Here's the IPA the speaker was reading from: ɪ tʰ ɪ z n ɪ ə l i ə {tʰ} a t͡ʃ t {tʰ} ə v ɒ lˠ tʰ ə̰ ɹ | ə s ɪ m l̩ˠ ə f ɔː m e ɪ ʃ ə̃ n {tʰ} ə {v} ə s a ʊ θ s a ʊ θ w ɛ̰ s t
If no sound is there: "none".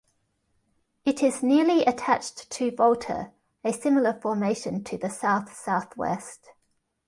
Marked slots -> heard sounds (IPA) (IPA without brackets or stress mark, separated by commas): tʰ, tʰ, tʰ, ð